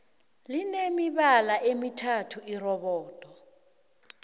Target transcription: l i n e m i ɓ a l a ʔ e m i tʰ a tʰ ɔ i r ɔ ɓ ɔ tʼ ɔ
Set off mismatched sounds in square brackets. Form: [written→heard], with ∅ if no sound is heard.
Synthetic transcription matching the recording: l i n e m i ɓ a l a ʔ e m i tʰ a tʰ [ɔ→u] i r ɔ ɓ [ɔ→ɔː] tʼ ɔ